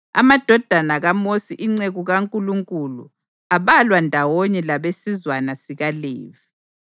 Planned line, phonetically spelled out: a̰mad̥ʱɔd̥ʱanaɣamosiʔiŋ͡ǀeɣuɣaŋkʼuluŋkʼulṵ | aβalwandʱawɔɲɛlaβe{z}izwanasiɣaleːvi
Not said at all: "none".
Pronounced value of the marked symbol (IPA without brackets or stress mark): s